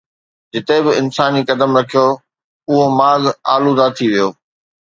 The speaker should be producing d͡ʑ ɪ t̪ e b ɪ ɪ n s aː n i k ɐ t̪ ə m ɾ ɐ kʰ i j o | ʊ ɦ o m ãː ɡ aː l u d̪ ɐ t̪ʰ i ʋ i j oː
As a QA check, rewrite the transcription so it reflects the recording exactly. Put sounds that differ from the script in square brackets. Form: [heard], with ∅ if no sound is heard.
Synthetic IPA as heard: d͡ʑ ɪ t̪ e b ɪ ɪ n s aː n i k ɐ [d̪] ə m ɾ ɐ kʰ i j o | ʊ ɦ o m [aː] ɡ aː l u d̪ [a] t̪ʰ i ʋ i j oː